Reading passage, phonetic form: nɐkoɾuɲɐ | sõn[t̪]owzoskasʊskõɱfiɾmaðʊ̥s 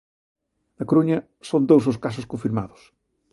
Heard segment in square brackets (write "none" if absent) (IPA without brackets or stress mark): d̪